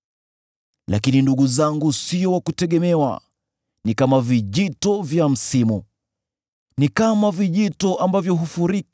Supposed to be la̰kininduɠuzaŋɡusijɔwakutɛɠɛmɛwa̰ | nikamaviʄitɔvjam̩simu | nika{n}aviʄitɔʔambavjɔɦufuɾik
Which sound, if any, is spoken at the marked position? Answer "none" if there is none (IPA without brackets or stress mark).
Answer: m